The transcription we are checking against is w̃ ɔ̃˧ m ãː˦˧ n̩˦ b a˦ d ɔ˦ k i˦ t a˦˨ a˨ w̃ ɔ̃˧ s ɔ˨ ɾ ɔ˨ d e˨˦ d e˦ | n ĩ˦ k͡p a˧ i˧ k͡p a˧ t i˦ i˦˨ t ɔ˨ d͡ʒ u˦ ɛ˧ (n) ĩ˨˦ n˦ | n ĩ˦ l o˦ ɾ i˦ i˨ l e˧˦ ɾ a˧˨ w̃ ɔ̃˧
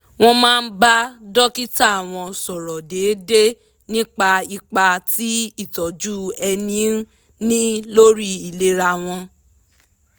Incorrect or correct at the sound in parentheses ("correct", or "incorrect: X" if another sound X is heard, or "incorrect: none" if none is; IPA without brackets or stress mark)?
correct